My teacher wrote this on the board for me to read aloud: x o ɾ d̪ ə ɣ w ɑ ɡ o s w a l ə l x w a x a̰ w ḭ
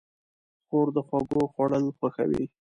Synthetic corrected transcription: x o ɾ d̪ ə x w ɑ ɡ o x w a ɽ ə l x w a x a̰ w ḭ